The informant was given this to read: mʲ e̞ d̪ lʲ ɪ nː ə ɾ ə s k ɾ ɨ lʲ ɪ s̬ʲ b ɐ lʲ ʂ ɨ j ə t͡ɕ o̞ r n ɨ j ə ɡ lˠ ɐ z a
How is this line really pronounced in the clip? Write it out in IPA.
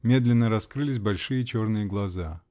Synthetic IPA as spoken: mʲ e̞ d̪ lʲ ɪ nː ə ɾ ɐ s k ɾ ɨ lʲ ɪ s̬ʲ b ɐ lʲ ʂ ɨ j ə t͡ɕ o̞ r n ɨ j ə ɡ lˠ ɐ z a